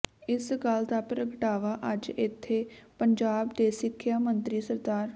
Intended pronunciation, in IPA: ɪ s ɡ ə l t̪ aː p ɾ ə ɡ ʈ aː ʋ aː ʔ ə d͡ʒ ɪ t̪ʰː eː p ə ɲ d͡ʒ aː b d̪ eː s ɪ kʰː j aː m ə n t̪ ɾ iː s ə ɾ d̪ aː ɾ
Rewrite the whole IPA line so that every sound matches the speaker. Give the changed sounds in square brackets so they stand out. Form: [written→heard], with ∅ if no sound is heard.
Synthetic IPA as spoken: ɪ s ɡ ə l [t̪→d̪] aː p ɾ ə ɡ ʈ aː ʋ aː ʔ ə d͡ʒ ɪ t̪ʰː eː p ə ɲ d͡ʒ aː b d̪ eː s ɪ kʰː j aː m ə n t̪ ɾ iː s ə ɾ d̪ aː ɾ